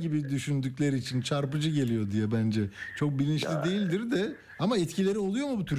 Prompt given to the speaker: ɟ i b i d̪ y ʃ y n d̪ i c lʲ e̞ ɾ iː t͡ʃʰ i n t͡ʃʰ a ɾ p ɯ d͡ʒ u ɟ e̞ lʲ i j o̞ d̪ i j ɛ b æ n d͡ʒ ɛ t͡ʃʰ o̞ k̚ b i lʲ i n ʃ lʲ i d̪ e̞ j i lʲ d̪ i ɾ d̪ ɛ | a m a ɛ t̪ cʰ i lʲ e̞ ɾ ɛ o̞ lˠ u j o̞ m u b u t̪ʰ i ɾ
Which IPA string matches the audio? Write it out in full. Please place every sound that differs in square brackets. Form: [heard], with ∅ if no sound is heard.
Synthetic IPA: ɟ i b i d̪ y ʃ y n d̪ [y] c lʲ e̞ ɾ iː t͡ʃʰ i n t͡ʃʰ a ɾ p ɯ d͡ʒ [ɯ] ɟ e̞ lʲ i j o̞ d̪ i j ɛ b æ n d͡ʒ ɛ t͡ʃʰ o̞ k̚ b i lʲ i n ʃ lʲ i d̪ e̞ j i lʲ d̪ i ɾ d̪ ɛ | a m a ɛ t̪ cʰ i lʲ e̞ ɾ [i] o̞ lˠ u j o̞ m u b u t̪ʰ [y] ɾ